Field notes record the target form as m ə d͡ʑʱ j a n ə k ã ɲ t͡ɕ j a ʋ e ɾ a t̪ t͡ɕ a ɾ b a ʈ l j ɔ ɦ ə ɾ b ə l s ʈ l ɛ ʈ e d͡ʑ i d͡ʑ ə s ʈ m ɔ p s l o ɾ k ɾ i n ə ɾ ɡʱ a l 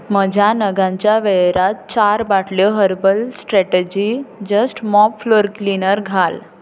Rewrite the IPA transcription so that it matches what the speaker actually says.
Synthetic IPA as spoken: m ə d͡ʑʱ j a n ə ɡ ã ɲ t͡ɕ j a ʋ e ɾ a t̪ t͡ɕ a ɾ b a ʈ l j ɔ ɦ ə ɾ b ə l s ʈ ɾ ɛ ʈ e d͡ʑ i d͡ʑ ə s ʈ m ɔ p f l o ɾ k l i n ə ɾ ɡʱ a l